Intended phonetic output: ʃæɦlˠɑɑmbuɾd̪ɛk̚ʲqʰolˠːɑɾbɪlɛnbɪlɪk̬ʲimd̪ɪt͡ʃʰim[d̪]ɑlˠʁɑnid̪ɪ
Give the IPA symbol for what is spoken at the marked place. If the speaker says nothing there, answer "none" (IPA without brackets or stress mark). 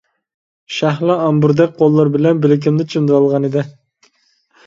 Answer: d̪